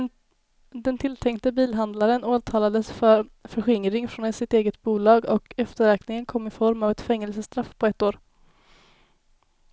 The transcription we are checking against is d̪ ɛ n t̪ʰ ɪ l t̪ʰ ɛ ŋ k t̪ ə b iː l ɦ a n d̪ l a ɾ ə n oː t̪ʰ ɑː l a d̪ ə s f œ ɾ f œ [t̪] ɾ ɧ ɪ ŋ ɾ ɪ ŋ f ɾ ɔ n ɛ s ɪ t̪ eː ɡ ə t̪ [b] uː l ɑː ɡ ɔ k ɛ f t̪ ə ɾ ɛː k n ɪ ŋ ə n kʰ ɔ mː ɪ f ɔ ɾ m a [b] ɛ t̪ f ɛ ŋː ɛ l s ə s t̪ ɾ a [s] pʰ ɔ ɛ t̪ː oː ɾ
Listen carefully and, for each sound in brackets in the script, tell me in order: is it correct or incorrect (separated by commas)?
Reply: incorrect, correct, incorrect, incorrect